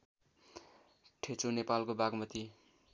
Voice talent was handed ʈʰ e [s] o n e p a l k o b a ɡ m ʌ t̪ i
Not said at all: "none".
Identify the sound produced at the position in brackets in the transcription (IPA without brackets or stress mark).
t͡s